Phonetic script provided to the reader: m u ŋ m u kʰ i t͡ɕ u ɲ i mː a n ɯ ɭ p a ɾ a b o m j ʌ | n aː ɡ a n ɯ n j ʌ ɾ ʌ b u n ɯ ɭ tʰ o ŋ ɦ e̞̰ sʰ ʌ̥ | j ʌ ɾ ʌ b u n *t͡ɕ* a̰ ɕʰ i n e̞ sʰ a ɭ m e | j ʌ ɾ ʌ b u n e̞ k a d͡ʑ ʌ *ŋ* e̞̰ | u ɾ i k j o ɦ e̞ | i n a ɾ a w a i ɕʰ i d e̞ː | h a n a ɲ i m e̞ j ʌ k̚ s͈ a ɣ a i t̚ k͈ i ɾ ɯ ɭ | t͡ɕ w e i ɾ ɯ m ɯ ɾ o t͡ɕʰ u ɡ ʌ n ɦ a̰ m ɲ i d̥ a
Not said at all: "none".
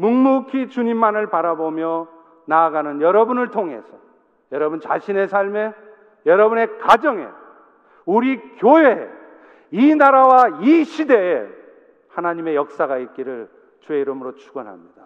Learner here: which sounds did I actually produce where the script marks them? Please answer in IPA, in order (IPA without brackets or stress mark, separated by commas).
t͡ɕ, ŋ